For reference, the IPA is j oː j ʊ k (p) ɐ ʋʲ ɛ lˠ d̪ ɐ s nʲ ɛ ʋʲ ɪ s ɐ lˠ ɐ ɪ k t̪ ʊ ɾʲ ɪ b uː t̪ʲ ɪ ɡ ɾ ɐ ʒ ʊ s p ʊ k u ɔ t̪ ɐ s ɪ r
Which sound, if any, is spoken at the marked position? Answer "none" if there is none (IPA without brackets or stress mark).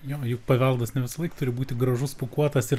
p